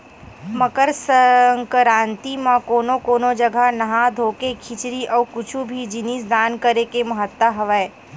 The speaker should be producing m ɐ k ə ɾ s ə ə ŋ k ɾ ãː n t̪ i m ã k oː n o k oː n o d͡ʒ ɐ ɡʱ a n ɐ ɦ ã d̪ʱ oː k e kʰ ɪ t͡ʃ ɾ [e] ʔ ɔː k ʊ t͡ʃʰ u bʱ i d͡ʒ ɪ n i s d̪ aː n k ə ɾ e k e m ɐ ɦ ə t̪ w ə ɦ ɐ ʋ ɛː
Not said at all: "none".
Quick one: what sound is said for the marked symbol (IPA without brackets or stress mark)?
i